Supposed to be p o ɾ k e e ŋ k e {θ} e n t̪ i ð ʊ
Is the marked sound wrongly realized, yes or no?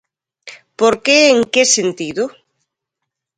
yes